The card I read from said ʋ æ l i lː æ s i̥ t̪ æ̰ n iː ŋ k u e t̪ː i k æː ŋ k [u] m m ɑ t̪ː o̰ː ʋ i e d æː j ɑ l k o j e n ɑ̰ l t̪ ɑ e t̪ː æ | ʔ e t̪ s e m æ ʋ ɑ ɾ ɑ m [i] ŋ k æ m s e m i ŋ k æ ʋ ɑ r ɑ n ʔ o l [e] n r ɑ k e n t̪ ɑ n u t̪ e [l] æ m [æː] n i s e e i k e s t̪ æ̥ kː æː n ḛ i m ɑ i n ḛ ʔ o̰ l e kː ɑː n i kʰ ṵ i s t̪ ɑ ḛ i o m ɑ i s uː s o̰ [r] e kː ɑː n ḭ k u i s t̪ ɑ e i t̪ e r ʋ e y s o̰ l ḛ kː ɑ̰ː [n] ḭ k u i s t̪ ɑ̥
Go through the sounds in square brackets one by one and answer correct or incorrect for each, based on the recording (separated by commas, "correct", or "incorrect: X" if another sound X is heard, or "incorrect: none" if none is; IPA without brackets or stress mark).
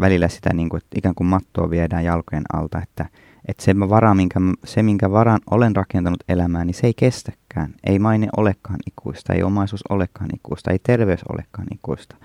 correct, correct, correct, correct, correct, incorrect: l, correct